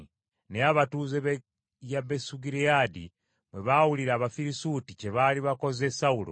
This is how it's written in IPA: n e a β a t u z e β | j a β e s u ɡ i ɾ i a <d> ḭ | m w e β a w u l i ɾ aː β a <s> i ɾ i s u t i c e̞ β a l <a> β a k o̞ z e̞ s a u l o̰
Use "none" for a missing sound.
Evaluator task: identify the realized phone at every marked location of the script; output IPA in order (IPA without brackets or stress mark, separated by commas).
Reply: d, f, i